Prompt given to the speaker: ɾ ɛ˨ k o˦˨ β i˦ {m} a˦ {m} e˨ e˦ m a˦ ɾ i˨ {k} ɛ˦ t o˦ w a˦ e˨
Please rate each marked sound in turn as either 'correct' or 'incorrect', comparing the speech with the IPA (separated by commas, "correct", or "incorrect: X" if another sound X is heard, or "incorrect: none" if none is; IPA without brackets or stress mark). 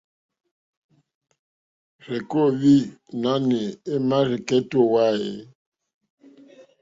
incorrect: n, incorrect: n, correct